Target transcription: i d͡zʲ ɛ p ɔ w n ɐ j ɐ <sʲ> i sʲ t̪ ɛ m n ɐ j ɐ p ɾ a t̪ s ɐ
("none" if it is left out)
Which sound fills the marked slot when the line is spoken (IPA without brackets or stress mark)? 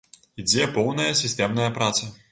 sʲ